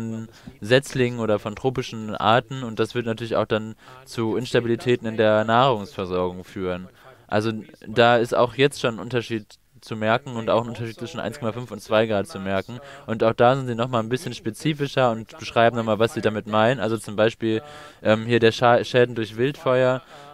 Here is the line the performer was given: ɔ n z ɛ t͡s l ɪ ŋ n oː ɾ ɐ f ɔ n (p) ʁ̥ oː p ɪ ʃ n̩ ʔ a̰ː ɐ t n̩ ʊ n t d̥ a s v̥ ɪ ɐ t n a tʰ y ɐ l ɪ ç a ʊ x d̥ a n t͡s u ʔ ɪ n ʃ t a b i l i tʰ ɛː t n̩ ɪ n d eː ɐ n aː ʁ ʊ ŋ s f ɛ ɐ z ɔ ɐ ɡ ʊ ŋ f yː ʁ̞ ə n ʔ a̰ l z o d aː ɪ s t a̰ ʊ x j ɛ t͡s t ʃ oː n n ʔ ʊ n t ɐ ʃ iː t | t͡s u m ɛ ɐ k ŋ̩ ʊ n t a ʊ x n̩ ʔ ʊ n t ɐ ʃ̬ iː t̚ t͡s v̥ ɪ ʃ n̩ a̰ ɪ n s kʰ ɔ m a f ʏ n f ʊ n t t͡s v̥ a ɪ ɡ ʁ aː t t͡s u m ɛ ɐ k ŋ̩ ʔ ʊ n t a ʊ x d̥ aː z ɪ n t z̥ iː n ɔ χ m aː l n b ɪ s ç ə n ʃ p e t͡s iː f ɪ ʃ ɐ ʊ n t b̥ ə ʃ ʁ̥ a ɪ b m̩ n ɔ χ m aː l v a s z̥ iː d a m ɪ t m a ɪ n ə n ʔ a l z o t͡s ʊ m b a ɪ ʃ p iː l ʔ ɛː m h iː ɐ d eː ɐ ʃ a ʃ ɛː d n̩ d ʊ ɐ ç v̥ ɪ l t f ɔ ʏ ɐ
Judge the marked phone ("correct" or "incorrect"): incorrect